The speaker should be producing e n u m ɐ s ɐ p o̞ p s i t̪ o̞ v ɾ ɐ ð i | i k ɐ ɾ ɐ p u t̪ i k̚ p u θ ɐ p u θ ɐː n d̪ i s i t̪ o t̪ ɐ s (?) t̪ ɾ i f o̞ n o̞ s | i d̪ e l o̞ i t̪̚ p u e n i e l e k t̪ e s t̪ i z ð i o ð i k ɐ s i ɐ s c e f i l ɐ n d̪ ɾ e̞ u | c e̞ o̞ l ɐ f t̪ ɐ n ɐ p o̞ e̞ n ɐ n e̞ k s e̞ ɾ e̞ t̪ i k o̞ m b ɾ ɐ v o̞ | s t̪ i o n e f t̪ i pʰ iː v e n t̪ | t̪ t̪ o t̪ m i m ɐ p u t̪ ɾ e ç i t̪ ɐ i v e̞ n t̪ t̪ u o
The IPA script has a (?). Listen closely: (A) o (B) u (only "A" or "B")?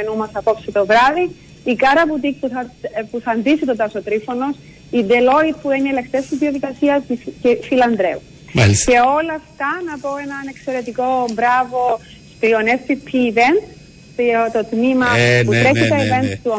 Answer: A